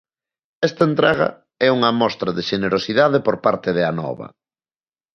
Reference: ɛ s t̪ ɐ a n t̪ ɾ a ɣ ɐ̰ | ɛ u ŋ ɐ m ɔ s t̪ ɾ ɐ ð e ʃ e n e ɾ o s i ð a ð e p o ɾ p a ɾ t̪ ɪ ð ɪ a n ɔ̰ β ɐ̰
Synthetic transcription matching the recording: ɛ s t̪ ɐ e n t̪ ɾ a ɣ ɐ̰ | ɛ u ŋ ɐ m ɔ s t̪ ɾ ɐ ð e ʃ e n e ɾ o s i ð a ð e p o ɾ p a ɾ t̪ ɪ ð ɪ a n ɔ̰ β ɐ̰